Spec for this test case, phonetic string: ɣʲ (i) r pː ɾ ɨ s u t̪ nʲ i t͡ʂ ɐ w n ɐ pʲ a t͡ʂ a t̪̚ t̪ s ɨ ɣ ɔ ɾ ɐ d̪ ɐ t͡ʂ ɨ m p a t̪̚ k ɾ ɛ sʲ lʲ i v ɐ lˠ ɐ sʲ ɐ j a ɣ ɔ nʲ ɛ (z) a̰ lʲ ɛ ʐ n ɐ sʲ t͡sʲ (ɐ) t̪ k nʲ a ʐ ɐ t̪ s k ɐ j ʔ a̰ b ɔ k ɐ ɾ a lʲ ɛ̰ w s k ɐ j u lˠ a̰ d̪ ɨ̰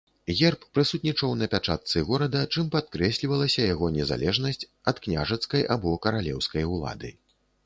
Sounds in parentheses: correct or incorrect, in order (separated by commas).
incorrect, correct, correct